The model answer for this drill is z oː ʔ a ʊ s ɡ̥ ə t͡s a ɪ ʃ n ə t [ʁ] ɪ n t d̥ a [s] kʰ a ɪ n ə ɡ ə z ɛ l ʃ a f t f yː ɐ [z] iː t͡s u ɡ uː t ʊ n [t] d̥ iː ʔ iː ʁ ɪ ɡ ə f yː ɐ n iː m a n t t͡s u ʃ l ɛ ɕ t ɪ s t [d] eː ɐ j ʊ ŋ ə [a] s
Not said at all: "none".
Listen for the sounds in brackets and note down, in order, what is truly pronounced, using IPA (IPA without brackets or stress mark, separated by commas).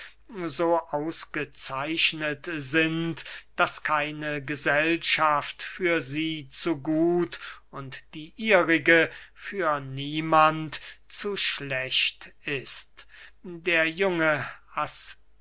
z, s, z, t, d, a